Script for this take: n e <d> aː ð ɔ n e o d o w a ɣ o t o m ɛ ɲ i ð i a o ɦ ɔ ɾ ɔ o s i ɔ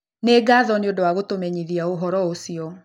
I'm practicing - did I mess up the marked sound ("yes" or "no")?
yes